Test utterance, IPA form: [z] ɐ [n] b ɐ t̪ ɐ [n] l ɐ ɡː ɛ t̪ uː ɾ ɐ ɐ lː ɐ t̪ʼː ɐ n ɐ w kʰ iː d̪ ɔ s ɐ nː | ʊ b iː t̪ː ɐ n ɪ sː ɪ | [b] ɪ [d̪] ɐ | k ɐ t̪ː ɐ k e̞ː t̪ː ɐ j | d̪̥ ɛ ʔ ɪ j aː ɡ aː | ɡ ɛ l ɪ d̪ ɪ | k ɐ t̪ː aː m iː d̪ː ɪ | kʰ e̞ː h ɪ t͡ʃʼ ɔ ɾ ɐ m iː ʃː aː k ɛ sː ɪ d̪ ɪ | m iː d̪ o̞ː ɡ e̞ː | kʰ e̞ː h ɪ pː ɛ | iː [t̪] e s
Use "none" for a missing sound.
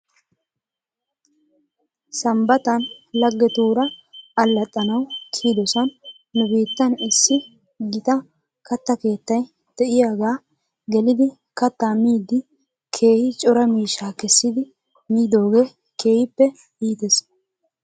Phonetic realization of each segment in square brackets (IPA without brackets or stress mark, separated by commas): s, m, n, ɡ, t̪, t̪